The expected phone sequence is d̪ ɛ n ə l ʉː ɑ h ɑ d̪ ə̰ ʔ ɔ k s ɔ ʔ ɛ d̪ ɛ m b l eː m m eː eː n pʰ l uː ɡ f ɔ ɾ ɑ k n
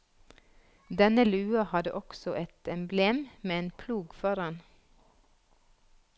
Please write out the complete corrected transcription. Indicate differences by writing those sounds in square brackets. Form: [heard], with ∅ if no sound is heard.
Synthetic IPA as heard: d̪ ɛ n ə l ʉː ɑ h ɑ d̪ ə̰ ʔ ɔ k s ɔ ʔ ɛ [t̪] ɛ m b l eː m m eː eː n pʰ l uː ɡ f ɔ ɾ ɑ [∅] n